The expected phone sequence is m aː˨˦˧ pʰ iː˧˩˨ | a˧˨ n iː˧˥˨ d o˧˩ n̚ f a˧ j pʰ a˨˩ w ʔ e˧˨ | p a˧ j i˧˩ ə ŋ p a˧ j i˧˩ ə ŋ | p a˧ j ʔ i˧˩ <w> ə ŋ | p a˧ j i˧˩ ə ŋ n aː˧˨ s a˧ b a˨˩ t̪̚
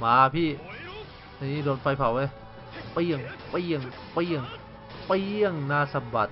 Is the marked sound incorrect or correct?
incorrect